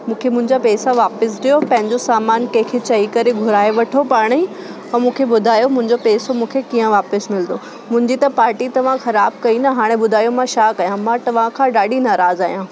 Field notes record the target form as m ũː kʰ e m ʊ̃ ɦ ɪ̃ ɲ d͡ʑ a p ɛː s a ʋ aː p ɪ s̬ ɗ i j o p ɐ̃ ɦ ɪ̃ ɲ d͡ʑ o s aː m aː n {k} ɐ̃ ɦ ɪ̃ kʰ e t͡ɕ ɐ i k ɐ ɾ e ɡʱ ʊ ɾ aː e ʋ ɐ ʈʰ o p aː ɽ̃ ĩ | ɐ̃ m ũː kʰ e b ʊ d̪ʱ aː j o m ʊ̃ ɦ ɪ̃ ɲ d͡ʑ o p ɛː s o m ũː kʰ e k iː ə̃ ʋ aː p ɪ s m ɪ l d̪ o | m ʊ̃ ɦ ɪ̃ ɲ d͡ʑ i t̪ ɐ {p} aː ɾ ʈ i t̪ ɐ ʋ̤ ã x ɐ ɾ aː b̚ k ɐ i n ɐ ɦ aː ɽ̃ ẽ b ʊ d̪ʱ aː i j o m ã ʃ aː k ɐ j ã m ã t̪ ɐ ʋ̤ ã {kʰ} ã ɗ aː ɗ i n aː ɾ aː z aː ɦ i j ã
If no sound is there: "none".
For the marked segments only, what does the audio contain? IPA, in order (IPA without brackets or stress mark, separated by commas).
k, p, kʰ